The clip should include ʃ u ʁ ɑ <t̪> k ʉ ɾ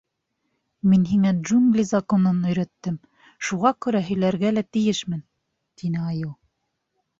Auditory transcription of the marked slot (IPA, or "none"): none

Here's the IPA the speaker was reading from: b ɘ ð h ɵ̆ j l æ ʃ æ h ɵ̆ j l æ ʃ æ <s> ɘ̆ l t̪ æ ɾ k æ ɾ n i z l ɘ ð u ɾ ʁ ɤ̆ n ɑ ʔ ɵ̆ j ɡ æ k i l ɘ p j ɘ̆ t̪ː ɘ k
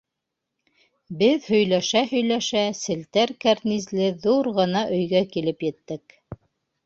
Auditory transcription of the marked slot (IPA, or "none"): s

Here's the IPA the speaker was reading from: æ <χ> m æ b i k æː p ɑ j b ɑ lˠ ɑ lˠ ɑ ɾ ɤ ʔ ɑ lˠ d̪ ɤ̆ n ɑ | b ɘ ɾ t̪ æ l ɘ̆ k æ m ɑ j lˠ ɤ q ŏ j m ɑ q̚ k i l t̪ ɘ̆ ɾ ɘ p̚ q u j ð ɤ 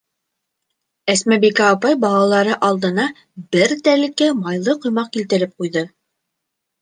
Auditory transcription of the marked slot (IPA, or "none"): s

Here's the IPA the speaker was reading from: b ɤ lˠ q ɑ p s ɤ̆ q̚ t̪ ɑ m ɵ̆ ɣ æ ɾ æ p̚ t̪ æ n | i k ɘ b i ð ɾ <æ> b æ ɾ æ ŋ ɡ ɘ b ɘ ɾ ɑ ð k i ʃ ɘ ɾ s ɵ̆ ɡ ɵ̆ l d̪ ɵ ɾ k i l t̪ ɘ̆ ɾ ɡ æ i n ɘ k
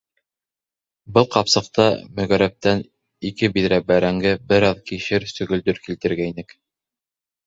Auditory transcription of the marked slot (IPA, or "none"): æ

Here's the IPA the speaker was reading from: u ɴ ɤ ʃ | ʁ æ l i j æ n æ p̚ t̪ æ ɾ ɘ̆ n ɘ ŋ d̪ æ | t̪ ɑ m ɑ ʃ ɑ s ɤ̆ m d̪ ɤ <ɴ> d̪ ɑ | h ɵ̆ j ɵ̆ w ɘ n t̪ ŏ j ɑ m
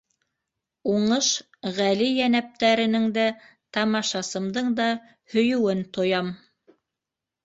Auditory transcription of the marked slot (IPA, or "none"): ɴ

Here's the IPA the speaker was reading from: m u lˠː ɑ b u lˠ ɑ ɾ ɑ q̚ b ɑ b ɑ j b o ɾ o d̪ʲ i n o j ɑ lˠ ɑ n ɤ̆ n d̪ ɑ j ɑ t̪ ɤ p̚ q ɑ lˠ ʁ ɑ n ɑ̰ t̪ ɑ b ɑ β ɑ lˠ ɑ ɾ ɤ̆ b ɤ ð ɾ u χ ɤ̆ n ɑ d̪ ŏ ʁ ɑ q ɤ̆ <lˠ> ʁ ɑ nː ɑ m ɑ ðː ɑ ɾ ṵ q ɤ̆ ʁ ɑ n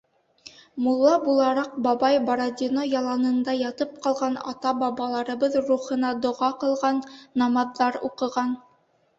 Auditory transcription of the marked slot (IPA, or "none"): lˠ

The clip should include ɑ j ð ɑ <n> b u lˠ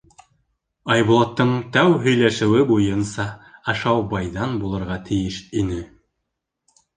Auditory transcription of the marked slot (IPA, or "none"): n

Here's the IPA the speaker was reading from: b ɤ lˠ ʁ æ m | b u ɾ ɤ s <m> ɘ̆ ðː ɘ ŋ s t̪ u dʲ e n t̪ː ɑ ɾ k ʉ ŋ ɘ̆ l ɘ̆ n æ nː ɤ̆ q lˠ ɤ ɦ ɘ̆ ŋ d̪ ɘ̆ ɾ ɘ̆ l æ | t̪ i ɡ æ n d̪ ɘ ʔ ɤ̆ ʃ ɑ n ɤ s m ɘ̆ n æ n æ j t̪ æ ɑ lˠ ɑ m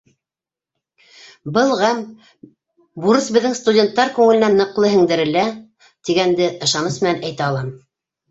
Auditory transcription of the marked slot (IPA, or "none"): b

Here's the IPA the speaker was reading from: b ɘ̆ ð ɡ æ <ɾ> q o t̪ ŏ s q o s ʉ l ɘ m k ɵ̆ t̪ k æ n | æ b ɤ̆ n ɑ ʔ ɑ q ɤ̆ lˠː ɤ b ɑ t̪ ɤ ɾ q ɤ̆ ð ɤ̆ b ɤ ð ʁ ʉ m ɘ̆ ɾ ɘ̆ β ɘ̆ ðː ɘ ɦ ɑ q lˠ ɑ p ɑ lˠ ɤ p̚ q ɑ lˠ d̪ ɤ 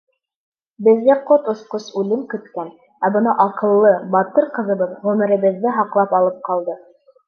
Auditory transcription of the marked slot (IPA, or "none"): none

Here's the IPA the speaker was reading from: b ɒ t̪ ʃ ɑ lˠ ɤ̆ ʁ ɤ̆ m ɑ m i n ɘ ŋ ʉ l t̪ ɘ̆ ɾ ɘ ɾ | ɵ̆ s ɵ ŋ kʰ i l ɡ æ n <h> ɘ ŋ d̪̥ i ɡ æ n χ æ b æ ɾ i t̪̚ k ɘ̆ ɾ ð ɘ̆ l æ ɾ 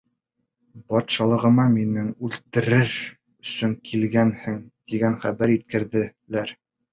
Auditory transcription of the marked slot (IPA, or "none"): h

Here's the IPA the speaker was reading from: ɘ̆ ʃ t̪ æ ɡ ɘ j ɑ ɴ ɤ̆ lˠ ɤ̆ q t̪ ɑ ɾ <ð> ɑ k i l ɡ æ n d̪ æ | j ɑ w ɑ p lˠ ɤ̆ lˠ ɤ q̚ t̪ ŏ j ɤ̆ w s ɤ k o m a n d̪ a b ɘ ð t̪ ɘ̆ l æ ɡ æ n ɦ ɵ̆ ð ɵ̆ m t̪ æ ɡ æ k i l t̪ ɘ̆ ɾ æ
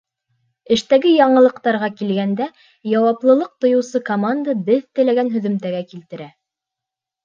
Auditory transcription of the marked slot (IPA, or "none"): ʁ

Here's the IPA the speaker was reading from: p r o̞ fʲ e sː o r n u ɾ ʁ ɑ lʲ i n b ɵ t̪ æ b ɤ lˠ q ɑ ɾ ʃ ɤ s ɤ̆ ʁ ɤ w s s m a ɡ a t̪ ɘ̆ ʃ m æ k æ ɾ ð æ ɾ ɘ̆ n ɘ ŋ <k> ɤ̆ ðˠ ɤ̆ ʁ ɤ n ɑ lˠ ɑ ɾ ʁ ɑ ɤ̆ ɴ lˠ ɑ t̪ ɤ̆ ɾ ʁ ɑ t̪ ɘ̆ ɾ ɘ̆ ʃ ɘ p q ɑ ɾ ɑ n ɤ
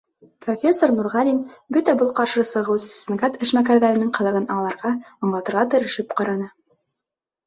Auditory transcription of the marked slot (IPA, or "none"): q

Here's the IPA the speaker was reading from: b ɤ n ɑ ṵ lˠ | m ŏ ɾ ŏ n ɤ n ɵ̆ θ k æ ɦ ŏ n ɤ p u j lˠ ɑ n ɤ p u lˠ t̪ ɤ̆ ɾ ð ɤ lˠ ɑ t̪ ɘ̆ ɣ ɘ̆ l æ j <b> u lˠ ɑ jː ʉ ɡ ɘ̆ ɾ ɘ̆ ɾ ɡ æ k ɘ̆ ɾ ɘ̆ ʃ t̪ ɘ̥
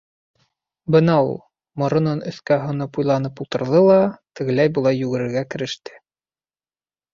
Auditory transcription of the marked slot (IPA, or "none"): b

